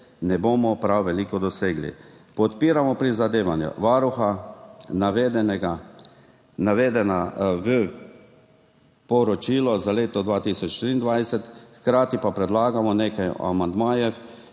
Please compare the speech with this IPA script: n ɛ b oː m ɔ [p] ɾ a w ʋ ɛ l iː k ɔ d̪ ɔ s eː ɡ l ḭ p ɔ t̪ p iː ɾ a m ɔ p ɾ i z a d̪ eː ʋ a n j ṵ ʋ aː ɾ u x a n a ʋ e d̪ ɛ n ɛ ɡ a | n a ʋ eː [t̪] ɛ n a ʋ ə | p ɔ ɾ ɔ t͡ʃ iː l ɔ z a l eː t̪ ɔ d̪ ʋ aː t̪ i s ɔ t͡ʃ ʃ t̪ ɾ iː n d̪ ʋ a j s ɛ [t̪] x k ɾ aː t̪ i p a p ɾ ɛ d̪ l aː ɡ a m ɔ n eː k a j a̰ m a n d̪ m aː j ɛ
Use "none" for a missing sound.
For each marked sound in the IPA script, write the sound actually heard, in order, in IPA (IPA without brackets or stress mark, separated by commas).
p, d̪, t̪